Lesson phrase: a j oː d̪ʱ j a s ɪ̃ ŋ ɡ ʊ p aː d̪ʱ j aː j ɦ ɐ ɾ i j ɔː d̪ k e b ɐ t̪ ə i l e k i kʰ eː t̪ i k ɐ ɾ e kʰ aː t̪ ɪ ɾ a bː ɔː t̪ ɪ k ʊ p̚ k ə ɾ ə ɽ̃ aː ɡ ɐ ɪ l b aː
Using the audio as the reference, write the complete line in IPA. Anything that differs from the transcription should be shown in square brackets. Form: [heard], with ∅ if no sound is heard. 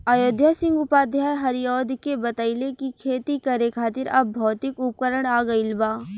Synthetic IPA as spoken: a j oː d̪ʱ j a s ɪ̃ ŋ ɡ ʊ p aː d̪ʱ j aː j ɦ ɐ ɾ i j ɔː d̪ k e b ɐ t̪ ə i l e k i kʰ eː t̪ i k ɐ ɾ e kʰ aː t̪ ɪ ɾ [ɐ] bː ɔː t̪ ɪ k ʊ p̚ k ə ɾ ə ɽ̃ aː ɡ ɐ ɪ l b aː